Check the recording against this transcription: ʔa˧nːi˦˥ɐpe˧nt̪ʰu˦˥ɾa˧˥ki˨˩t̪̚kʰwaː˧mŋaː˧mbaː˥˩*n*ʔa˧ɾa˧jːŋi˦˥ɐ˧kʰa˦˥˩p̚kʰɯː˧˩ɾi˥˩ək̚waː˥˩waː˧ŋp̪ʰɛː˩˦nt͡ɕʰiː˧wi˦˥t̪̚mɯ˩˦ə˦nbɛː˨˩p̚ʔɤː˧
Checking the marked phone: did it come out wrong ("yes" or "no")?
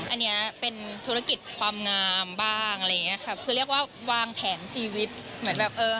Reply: yes